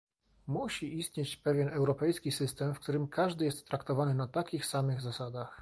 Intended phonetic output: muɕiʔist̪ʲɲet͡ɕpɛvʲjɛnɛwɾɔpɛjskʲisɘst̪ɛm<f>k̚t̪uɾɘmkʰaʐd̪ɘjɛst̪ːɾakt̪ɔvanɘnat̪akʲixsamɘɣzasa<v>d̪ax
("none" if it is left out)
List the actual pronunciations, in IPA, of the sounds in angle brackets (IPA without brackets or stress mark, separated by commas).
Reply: f, none